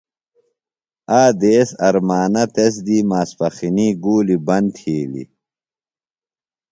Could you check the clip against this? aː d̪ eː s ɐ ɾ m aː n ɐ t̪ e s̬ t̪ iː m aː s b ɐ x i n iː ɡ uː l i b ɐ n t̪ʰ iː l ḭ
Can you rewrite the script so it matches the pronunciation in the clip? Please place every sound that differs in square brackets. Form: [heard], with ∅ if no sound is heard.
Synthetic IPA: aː d̪ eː s ɐ ɾ m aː n ɐ t̪ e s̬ [d̪] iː m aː s [p] ɐ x i n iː ɡ uː l i b ɐ n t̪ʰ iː l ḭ

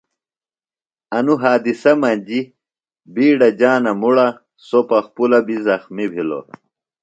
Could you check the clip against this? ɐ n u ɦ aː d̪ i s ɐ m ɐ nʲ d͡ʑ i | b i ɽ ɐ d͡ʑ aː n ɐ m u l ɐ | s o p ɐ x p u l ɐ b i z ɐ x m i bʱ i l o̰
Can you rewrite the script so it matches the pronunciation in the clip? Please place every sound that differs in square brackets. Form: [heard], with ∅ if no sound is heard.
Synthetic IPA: ɐ n u ɦ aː d̪ i s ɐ m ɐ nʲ d͡ʑ i | b [iː] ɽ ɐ d͡ʑ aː n ɐ m u [ɽ] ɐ | s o p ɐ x p u l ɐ b i z ɐ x m i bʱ i l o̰

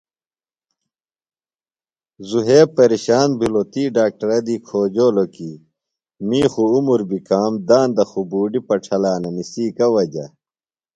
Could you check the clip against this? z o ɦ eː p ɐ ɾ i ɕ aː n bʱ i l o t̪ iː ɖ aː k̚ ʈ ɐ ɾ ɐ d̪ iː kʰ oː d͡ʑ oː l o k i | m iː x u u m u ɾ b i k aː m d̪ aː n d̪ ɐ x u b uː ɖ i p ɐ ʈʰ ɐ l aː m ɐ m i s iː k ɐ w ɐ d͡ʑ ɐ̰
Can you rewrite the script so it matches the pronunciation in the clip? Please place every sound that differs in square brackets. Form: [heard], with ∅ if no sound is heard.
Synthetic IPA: z [u] ɦ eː p ɐ ɾ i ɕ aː n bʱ i l o t̪ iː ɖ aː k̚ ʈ ɐ ɾ ɐ d̪ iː kʰ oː d͡ʑ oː l o k i | m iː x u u m u ɾ b i k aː m d̪ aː n d̪ ɐ x u b uː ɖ i p ɐ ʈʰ ɐ l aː [n] ɐ m i s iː k ɐ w ɐ d͡ʑ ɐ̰

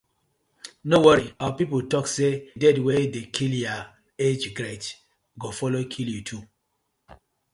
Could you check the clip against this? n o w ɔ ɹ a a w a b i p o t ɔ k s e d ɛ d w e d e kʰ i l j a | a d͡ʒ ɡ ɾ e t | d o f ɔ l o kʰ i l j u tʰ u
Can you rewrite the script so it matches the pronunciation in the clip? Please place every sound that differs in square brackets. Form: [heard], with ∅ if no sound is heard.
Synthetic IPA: n o w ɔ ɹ [i] a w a [p] i p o t ɔ k s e d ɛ d w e d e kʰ i l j a | [e] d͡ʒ ɡ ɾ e t | [ɡ] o f ɔ l o kʰ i l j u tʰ u

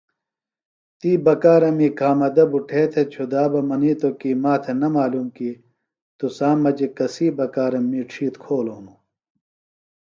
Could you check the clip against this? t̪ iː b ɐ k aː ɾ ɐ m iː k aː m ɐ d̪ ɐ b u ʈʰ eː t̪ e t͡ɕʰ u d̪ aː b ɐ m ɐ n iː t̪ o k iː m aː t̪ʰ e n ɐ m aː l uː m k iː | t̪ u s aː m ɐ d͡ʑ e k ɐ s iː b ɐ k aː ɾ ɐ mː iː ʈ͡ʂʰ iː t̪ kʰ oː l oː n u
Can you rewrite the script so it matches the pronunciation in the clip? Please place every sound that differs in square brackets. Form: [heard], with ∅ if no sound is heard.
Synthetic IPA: t̪ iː b ɐ k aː ɾ ɐ m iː k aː m ɐ d̪ ɐ b u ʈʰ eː [t̪ʰ] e t͡ɕʰ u d̪ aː b ɐ m ɐ n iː t̪ o k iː m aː t̪ʰ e n ɐ m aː l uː m k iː | t̪ u s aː m ɐ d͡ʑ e k ɐ s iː b ɐ k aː ɾ ɐ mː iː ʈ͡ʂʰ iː t̪ kʰ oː l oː n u

